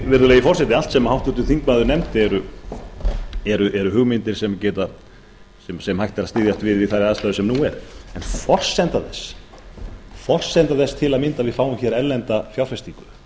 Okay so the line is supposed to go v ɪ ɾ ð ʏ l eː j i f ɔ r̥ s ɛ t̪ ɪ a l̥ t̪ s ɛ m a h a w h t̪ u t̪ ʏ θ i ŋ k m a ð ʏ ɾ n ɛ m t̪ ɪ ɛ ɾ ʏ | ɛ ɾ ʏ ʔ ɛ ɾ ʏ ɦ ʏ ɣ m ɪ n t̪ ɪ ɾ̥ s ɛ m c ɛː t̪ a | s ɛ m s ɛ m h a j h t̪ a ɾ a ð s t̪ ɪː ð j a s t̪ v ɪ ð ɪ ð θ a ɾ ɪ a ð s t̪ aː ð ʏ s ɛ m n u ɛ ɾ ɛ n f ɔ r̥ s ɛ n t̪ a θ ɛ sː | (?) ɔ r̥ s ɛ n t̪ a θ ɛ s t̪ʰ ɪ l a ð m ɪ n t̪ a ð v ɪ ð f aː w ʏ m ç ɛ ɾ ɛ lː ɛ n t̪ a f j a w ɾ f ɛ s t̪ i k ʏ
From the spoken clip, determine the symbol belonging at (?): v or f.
f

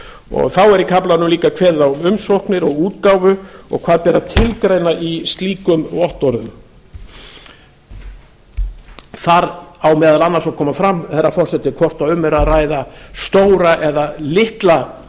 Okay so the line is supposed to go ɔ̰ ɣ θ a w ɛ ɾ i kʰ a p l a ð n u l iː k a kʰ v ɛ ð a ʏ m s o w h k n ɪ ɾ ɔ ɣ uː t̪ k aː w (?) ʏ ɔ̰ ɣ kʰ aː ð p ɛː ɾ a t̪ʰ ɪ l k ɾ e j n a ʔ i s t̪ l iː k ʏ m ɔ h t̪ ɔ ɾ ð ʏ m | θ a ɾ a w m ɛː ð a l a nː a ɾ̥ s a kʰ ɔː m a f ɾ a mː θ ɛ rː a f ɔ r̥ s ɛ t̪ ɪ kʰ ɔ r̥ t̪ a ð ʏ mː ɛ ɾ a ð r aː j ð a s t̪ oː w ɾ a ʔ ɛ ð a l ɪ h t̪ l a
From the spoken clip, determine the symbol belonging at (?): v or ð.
v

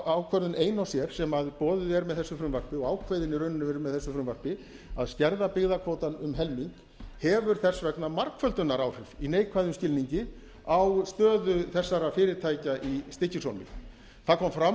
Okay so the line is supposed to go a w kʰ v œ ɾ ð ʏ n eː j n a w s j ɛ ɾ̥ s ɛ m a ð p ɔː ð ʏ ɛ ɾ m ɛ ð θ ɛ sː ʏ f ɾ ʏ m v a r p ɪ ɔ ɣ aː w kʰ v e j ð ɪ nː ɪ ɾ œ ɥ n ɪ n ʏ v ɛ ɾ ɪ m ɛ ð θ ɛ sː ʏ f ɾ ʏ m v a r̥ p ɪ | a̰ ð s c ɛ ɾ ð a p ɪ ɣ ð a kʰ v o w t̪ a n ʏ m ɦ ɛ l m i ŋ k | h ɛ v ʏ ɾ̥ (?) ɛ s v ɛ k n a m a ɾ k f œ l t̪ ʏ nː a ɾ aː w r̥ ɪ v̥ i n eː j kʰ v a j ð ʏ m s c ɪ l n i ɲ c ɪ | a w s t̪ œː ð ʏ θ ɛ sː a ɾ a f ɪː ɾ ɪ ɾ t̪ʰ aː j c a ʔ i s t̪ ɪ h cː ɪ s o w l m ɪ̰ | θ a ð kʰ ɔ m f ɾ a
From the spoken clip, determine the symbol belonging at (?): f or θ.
θ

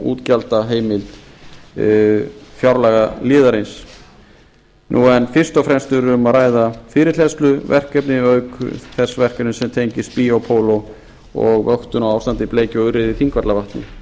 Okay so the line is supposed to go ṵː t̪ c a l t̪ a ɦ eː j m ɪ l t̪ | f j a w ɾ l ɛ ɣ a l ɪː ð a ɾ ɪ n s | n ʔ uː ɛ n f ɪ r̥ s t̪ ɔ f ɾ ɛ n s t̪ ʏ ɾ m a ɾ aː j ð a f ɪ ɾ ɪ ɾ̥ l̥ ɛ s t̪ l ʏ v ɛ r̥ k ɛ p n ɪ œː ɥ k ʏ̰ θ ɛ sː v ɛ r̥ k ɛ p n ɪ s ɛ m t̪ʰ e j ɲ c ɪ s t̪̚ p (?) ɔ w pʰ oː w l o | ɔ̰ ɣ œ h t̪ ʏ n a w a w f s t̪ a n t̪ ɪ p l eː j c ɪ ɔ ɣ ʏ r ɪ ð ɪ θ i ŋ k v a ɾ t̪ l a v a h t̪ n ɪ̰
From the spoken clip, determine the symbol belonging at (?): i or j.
i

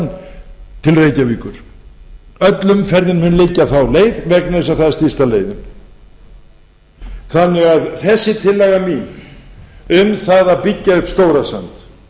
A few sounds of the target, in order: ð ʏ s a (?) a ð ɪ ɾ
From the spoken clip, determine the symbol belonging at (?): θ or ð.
θ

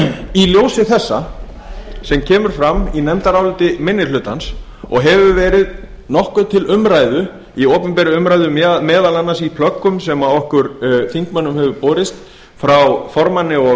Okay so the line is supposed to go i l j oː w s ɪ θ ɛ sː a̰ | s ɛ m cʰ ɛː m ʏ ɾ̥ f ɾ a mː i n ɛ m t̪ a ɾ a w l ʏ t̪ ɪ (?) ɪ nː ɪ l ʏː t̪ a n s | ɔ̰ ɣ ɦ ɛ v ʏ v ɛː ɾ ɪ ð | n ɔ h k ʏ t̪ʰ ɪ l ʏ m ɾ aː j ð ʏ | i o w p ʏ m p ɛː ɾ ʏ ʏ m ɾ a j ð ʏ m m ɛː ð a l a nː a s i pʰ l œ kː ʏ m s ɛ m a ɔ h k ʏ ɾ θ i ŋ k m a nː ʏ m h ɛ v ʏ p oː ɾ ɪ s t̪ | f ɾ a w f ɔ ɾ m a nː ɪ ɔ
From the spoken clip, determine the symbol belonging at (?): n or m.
m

